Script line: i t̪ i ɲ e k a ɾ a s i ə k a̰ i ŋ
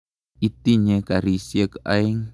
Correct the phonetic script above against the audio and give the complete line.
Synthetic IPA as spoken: i t̪ i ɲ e k a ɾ i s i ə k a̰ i ŋ